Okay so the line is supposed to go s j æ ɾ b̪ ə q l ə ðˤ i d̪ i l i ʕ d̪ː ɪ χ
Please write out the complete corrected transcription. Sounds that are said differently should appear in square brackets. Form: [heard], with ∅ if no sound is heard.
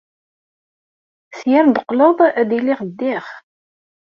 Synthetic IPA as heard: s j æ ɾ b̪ ə q l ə ðˤ [æ] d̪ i l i [ʁ] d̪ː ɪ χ